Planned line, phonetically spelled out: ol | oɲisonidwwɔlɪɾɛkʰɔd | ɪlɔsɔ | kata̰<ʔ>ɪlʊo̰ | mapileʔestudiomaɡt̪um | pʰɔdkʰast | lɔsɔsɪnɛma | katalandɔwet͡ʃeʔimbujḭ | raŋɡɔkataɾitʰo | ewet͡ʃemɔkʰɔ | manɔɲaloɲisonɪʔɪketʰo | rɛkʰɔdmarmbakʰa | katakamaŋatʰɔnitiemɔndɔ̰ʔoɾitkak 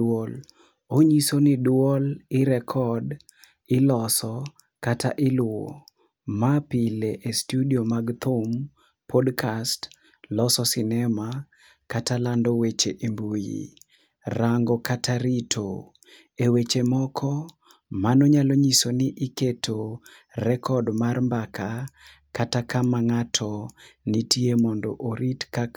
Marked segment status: correct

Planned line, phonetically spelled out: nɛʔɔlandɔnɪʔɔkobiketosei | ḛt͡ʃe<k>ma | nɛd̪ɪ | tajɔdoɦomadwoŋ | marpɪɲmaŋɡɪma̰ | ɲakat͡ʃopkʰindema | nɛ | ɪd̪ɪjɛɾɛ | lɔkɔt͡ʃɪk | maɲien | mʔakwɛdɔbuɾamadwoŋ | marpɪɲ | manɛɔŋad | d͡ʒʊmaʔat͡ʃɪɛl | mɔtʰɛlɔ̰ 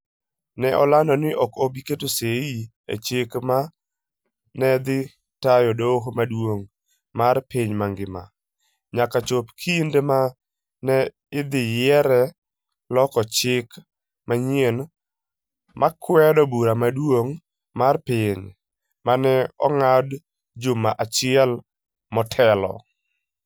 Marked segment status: correct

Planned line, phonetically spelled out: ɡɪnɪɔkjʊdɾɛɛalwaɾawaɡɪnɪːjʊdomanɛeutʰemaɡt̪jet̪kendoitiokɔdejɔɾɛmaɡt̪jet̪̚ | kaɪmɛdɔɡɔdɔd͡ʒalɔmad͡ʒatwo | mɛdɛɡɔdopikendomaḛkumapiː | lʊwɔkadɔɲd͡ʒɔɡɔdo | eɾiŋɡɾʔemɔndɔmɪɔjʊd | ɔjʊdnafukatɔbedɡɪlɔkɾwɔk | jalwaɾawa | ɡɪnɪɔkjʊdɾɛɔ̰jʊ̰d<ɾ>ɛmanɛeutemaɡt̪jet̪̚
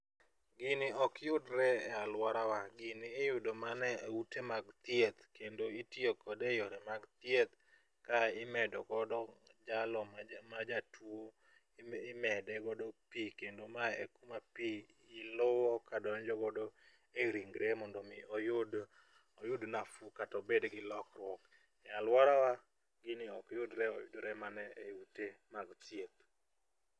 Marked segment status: correct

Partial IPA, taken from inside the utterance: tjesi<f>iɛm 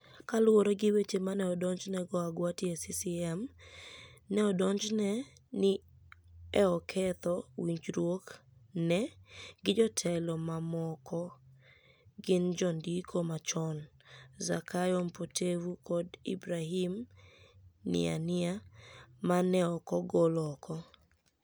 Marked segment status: incorrect: s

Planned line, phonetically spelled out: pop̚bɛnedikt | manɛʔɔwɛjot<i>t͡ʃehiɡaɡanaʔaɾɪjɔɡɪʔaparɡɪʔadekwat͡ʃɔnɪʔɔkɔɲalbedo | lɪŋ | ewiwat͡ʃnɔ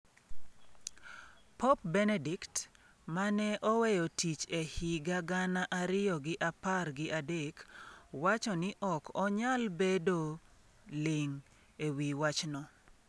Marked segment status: correct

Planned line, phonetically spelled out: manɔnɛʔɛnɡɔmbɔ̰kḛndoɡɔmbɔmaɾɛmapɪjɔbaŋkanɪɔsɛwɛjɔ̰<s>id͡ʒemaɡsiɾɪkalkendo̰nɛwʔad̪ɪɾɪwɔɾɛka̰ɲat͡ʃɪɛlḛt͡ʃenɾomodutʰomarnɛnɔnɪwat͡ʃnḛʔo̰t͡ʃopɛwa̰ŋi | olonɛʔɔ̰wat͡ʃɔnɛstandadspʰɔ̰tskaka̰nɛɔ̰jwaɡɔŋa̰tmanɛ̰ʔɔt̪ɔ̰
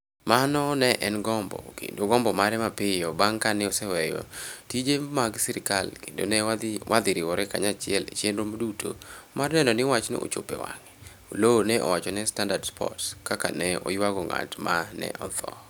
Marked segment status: incorrect: t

